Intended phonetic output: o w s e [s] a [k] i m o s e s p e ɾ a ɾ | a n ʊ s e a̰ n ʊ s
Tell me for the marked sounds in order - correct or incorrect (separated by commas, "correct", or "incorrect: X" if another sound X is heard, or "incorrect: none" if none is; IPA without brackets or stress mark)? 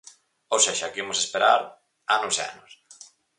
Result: incorrect: ʃ, correct